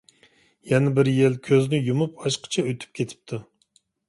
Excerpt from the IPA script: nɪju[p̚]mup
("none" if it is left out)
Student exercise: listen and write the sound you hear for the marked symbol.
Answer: none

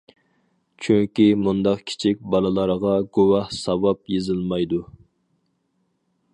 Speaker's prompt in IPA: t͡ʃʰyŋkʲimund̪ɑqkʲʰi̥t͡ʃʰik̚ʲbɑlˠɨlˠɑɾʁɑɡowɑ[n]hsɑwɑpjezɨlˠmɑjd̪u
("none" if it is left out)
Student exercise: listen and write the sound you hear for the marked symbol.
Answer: none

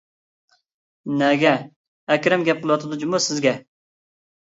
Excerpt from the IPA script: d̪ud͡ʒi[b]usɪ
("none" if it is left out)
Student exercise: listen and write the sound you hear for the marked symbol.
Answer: m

